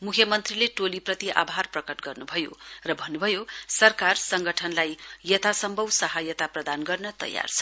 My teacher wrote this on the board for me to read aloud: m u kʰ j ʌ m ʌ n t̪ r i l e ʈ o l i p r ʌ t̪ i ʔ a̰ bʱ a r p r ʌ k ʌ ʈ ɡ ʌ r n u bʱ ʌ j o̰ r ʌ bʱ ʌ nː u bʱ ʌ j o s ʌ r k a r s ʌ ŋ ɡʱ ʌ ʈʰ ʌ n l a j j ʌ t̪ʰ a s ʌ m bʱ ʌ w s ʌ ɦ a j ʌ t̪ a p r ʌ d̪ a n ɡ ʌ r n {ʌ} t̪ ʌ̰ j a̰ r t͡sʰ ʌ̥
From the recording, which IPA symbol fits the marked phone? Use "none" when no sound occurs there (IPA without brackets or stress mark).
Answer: ʌ